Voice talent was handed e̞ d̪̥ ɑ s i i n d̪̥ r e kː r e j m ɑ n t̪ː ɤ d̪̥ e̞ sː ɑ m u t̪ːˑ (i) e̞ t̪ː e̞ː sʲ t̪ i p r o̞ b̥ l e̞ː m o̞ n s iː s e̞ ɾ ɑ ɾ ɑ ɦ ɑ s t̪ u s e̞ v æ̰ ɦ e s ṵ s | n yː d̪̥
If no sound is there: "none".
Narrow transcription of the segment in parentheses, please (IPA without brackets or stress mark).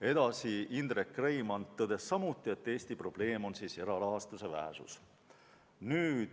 i